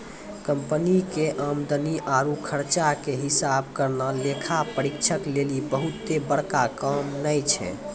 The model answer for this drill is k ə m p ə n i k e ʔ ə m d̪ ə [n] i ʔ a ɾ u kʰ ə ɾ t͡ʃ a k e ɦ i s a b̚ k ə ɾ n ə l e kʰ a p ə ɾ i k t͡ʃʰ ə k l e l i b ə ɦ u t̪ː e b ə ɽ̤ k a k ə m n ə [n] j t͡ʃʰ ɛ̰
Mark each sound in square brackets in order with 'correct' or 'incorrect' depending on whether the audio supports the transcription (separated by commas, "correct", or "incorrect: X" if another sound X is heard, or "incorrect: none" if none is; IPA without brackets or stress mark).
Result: correct, incorrect: none